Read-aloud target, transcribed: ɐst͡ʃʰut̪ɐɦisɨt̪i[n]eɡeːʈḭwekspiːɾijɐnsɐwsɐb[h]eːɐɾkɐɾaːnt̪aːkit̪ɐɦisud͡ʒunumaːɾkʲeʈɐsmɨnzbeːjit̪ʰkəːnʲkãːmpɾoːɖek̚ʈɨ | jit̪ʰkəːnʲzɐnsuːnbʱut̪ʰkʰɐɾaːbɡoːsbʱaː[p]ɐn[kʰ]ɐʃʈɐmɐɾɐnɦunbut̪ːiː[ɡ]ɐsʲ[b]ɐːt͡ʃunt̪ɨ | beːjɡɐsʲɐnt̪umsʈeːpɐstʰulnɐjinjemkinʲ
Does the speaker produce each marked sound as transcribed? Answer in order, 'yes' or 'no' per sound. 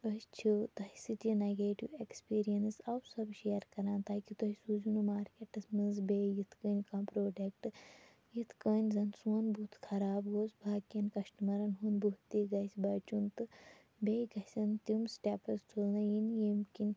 yes, no, no, no, yes, yes

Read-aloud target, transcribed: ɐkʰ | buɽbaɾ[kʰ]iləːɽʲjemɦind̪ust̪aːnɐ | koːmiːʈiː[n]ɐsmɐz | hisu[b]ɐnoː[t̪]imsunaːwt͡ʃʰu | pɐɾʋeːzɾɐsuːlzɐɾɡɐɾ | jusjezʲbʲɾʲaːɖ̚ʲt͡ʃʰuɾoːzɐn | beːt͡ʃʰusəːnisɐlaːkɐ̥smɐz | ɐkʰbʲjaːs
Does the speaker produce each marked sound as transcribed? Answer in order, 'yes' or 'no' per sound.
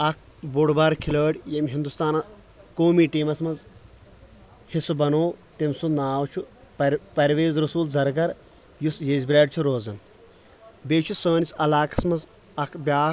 yes, no, yes, yes

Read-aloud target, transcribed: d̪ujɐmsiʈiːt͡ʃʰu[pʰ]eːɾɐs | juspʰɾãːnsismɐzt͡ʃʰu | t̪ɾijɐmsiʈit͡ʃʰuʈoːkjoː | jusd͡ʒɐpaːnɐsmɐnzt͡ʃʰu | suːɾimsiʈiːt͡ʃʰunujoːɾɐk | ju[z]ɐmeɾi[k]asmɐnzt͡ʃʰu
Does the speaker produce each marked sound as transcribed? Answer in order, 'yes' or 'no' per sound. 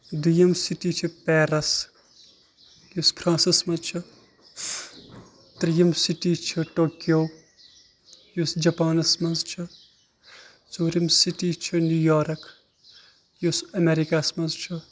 no, no, yes

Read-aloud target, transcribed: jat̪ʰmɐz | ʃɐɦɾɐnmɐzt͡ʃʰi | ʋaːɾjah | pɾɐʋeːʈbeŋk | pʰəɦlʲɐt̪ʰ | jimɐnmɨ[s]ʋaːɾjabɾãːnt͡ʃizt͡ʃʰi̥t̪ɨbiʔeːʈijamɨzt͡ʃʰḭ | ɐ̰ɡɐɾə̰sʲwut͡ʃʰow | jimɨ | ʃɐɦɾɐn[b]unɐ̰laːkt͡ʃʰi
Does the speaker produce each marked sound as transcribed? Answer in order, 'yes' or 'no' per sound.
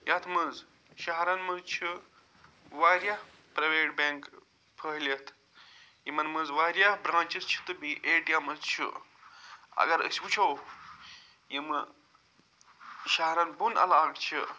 no, yes

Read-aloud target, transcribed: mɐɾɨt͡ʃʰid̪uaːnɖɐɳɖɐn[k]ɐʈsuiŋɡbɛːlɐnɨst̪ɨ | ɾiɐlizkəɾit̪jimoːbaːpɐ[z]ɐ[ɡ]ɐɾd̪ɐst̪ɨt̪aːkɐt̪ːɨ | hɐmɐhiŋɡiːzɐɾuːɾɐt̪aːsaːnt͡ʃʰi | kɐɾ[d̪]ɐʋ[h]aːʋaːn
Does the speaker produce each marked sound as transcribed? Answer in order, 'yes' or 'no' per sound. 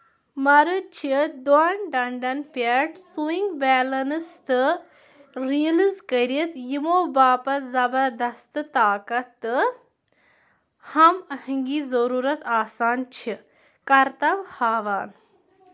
no, yes, no, no, yes

